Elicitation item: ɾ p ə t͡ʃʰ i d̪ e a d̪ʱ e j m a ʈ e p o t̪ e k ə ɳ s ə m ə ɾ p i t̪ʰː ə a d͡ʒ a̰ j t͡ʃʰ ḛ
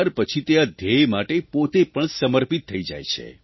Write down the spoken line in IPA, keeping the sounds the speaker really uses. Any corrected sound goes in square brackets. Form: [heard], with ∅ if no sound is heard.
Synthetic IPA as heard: ɾ p ə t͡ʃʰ i [t̪] e a d̪ʱ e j m a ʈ e p o t̪ e [p] ə ɳ s ə m ə ɾ p i t̪ʰː ə [i] d͡ʒ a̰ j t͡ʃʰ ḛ